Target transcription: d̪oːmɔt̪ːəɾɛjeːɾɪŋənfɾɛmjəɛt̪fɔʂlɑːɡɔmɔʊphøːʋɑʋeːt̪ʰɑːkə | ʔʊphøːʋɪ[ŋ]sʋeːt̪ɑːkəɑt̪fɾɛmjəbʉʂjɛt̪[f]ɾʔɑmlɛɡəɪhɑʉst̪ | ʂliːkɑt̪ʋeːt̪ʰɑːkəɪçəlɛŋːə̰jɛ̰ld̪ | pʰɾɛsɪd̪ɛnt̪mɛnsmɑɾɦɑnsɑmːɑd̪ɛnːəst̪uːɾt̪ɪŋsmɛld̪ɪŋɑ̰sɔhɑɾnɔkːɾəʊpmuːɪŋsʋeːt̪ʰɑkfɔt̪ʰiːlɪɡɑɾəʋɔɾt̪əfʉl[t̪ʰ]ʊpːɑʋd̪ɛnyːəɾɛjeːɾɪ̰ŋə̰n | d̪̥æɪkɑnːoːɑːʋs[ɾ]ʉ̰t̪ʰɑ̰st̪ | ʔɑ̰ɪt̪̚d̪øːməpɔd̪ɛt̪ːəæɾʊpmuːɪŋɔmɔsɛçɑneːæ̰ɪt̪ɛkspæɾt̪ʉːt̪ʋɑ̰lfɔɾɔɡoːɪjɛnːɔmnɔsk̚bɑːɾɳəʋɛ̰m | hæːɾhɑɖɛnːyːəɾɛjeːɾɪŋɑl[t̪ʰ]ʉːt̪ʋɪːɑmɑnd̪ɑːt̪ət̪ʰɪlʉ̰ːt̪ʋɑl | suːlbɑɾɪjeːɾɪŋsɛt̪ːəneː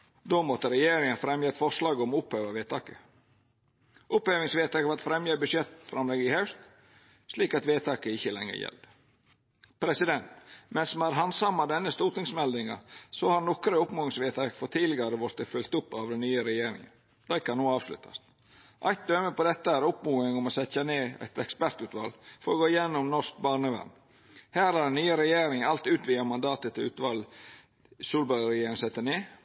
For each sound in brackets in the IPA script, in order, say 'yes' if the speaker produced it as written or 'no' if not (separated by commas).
yes, yes, no, no, no